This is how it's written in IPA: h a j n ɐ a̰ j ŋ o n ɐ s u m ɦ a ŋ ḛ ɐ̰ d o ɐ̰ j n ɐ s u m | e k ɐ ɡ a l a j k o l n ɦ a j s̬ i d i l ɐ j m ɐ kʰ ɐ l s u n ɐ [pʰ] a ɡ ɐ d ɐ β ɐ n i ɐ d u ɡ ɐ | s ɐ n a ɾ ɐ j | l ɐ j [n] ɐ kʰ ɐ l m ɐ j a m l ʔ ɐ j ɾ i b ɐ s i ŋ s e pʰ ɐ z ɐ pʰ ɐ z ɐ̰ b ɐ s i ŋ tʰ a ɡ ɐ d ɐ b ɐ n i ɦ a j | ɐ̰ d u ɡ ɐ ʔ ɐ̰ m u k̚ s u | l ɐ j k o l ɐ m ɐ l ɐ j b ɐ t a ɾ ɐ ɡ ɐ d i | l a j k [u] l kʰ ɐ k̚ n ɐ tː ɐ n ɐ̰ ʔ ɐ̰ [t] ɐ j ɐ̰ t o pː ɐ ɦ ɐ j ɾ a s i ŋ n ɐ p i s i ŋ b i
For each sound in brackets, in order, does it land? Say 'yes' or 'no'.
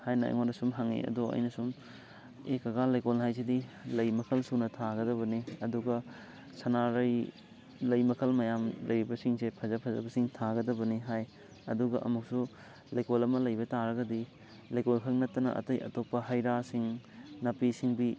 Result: no, no, no, yes

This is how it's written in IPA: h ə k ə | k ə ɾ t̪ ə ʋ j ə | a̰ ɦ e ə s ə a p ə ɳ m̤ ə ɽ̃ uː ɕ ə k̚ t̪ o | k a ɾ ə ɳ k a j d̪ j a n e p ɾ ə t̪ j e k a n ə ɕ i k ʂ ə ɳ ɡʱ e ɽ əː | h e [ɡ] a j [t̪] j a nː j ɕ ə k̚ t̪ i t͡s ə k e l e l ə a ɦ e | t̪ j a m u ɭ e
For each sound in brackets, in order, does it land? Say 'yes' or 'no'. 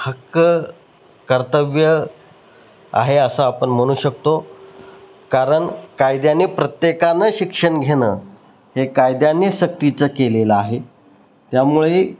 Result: no, no

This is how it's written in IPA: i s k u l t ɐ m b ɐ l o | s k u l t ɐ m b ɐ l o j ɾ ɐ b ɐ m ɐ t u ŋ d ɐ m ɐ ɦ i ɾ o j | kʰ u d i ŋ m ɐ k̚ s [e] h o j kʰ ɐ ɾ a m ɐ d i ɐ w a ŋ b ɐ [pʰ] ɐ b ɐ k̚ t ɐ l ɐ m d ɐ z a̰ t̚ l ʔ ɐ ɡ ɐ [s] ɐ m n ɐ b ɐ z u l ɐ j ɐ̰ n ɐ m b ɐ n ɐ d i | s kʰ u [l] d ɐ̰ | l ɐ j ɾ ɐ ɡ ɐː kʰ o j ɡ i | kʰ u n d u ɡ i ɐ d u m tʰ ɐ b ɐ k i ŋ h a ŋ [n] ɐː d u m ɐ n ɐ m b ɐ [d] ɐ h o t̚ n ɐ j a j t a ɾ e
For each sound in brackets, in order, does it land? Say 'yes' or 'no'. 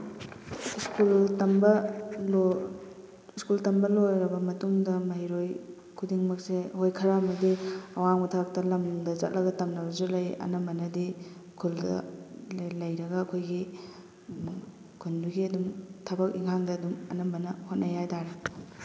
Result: yes, no, no, yes, no, no

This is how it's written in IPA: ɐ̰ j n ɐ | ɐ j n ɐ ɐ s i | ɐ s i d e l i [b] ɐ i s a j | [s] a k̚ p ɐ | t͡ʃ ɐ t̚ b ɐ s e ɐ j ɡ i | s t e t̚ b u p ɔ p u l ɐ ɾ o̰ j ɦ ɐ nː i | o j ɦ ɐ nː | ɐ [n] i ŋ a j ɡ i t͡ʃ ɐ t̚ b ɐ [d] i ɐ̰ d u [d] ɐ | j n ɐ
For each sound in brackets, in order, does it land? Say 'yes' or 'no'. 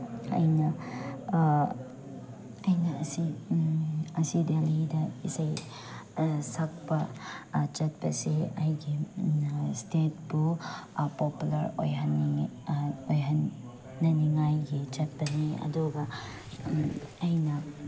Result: no, yes, yes, no, no

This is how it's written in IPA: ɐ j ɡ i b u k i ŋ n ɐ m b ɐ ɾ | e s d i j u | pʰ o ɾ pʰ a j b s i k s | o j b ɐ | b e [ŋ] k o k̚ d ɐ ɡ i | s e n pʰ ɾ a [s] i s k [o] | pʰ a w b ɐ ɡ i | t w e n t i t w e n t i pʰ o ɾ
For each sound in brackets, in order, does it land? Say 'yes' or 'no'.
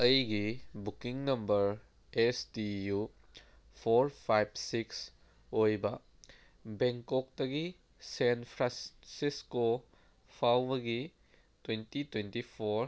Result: yes, yes, yes

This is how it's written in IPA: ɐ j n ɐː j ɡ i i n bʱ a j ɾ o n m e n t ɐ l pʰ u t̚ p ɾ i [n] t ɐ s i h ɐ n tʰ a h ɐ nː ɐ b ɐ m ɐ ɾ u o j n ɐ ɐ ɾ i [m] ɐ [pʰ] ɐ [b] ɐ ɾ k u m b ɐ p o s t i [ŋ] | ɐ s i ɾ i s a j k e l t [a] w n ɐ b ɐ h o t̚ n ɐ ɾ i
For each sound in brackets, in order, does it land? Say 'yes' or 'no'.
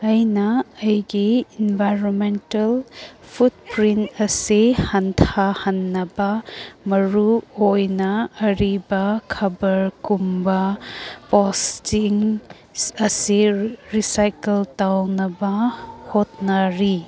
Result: yes, no, no, yes, yes, yes

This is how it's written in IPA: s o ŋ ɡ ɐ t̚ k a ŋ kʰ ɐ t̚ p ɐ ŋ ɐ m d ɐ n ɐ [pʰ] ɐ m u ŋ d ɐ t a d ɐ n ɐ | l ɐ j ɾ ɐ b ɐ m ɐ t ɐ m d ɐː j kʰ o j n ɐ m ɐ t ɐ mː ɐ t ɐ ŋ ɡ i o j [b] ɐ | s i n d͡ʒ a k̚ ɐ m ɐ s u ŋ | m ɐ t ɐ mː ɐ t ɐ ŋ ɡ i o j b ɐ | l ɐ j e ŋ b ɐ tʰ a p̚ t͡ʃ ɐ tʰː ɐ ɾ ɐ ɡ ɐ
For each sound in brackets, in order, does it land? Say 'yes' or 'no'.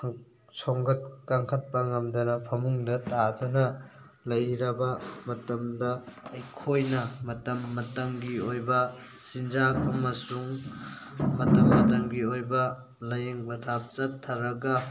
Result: yes, yes

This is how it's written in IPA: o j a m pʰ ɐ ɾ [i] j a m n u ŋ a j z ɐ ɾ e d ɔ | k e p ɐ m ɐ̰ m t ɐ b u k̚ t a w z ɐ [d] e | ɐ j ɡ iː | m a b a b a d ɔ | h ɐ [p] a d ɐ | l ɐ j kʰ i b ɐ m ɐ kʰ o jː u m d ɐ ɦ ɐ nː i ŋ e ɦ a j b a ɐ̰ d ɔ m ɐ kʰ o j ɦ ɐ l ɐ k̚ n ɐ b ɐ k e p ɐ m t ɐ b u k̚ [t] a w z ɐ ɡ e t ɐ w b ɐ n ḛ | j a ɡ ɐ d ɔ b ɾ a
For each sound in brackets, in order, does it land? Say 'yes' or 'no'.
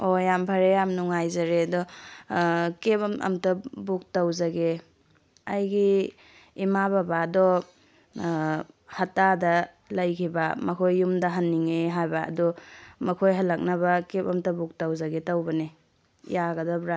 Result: no, no, no, yes

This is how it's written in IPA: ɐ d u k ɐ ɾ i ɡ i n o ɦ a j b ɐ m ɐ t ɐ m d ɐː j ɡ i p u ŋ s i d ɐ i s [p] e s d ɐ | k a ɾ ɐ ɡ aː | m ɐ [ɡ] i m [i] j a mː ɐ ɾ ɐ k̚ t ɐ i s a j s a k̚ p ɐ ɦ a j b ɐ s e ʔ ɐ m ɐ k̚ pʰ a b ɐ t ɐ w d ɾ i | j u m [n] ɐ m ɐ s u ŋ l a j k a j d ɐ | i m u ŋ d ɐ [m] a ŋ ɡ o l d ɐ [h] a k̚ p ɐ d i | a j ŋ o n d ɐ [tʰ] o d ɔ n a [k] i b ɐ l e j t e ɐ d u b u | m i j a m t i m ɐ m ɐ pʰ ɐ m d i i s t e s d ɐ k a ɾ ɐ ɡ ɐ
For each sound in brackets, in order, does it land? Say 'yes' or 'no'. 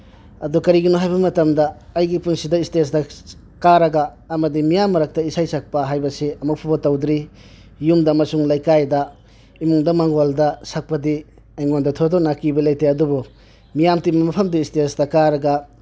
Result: no, no, yes, no, yes, no, yes, yes

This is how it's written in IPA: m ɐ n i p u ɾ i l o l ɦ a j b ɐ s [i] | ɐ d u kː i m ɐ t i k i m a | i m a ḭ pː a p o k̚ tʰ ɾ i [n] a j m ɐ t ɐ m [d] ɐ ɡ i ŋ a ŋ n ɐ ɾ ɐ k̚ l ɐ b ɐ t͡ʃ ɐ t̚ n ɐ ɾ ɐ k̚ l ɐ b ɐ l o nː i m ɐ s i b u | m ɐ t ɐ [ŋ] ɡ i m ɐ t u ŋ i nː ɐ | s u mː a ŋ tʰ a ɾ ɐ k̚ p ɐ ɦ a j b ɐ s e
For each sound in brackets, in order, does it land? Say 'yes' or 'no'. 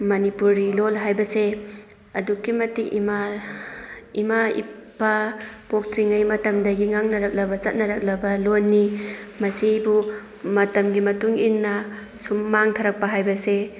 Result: no, no, yes, no

